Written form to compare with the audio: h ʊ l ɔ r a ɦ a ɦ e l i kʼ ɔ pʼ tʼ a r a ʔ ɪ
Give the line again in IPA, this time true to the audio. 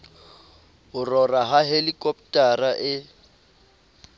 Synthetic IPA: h ʊ r ɔ r a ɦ a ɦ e l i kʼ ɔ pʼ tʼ a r a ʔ ɪ